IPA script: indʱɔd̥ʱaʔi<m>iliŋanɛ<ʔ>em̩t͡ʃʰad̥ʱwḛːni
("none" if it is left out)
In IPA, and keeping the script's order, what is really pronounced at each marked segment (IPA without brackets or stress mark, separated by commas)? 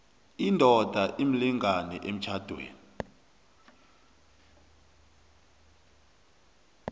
m, ʔ